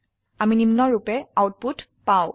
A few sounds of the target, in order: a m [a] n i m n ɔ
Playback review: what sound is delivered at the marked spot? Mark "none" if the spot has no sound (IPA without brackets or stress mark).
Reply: i